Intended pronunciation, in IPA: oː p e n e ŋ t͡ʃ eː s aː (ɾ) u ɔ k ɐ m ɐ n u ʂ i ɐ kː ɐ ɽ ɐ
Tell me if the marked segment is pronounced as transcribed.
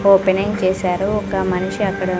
yes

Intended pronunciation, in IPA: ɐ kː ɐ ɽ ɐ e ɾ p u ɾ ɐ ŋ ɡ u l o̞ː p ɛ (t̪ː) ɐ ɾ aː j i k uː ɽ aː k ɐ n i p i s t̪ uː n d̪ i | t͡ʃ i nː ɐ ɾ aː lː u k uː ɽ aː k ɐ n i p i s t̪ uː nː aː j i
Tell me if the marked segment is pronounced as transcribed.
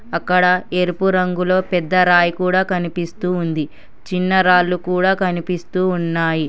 no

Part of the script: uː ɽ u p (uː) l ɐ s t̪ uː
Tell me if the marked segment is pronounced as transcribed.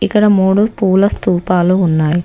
yes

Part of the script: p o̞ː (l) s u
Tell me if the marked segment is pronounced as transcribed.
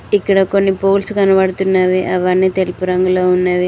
yes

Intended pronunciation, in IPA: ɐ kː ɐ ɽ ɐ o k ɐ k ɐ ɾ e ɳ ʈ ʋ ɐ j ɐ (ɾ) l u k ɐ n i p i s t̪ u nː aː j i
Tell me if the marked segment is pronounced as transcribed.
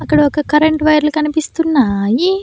yes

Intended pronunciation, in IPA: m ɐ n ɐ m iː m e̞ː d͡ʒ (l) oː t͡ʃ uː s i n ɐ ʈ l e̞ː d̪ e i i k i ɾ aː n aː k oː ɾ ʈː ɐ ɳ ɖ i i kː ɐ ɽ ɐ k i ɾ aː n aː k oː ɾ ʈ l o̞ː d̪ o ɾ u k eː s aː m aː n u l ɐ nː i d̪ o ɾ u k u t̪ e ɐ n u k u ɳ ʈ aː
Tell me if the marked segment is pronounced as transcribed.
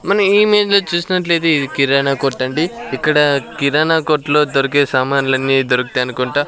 yes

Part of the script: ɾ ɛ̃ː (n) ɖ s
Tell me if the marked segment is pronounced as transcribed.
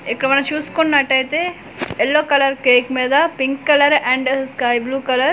no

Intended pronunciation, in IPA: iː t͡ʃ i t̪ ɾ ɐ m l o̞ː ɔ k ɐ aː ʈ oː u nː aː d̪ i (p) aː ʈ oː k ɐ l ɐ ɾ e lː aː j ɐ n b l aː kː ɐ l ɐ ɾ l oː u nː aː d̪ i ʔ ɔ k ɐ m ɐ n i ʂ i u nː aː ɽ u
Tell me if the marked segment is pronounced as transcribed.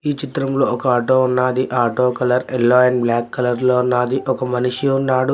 no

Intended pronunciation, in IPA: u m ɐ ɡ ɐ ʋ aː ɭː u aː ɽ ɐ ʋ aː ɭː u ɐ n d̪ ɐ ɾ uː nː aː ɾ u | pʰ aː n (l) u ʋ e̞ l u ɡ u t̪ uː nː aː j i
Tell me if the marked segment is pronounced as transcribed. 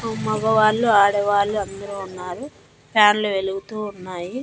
yes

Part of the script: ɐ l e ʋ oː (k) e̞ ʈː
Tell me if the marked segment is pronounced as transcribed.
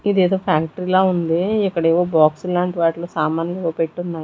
no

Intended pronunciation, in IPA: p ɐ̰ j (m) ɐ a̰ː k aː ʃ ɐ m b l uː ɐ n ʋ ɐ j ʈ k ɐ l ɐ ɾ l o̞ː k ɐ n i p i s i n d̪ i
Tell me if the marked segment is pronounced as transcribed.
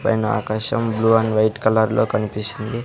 no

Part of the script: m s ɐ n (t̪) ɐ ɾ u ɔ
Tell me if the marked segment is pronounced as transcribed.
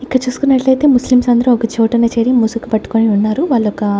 no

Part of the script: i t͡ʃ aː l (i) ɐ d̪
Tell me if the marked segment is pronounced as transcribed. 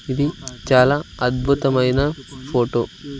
no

